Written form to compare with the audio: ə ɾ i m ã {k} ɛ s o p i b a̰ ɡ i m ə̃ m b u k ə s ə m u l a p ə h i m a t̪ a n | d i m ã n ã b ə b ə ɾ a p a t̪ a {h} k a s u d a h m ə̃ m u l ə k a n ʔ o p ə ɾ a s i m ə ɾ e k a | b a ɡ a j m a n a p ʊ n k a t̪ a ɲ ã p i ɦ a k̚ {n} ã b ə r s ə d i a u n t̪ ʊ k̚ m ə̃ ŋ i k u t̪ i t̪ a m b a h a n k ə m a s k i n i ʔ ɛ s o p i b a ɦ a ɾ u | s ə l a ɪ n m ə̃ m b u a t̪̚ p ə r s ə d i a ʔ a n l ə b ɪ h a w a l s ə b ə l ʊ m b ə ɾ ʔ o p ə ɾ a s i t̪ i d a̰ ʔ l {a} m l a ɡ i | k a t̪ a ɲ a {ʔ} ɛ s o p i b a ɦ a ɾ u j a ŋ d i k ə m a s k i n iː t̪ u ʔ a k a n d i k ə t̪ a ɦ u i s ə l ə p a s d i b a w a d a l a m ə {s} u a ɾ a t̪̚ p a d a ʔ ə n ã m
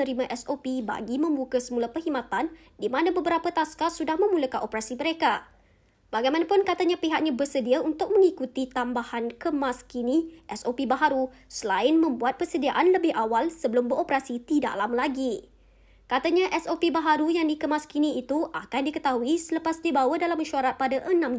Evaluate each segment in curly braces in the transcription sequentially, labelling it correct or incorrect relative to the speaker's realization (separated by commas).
incorrect, incorrect, incorrect, correct, correct, incorrect